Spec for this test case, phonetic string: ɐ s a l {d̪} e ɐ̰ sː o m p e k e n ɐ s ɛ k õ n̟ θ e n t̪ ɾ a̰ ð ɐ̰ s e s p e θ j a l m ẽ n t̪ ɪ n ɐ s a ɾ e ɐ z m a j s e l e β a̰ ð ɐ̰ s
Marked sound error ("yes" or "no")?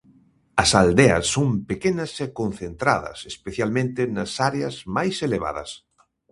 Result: no